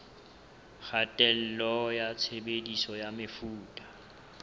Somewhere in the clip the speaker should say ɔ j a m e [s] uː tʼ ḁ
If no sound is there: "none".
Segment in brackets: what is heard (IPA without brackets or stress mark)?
f